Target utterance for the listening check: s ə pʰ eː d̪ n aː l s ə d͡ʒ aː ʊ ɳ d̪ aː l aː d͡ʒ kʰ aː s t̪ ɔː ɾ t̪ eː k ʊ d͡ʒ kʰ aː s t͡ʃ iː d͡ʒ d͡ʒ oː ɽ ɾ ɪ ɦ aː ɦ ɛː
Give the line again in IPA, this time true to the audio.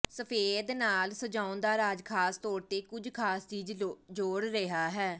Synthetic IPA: s ə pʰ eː d̪ n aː l s ə d͡ʒ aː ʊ n d̪ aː ɾ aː d͡ʒ kʰ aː s t̪ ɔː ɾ t̪ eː k ʊ d͡ʒ kʰ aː s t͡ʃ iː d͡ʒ d͡ʒ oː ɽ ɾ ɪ ɦ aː ɦ ɛː